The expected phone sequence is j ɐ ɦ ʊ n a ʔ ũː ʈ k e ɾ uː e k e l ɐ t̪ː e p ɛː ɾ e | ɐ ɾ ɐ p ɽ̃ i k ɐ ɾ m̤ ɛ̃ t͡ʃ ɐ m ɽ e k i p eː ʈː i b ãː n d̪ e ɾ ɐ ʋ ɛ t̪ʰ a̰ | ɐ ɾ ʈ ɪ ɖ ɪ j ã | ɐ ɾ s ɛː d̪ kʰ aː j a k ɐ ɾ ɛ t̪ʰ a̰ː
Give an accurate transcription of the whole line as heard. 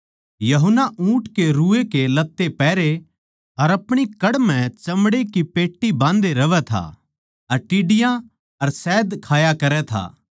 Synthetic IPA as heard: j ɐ ɦ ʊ n a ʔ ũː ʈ k e ɾ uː e k e l ɐ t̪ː e p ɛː ɾ e | ɐ ɾ ɐ p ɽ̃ i k ɐ ɽ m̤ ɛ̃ t͡ʃ ɐ m ɽ e k i p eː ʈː i b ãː n d̪ e ɾ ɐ ʋ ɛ t̪ʰ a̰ | ɐ ɾ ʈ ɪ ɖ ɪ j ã | ɐ ɾ s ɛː d̪ kʰ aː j a k ɐ ɾ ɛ t̪ʰ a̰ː